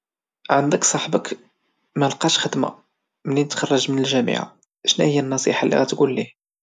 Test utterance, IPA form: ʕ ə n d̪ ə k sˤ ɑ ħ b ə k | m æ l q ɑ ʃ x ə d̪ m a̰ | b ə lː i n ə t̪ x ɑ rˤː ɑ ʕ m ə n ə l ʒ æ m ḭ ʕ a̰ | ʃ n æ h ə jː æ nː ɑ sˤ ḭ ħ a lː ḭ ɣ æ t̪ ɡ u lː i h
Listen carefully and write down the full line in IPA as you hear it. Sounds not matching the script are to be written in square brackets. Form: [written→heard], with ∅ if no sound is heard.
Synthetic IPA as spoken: ʕ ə n d̪ ə k sˤ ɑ ħ b ə k | m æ l q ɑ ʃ x ə d̪ m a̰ | [b→m] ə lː i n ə t̪ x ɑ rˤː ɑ [ʕ→ʒ] m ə n ə l ʒ æ m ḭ ʕ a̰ | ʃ n æ h ə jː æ nː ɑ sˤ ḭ ħ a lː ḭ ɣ æ t̪ ɡ u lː i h